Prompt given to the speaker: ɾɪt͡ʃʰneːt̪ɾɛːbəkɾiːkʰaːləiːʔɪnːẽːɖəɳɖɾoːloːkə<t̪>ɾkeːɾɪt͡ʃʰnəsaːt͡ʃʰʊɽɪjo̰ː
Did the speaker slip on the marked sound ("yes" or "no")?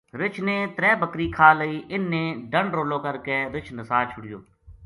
yes